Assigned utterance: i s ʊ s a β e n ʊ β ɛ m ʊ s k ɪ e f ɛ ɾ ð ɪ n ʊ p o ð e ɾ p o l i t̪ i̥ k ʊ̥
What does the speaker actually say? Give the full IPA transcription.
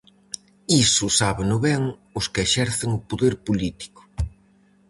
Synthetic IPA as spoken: i s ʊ s a β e n ʊ β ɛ ŋ ʊ s k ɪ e ʃ ɛ ɾ θ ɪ ŋ ʊ p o ð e ɾ p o l i t̪ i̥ k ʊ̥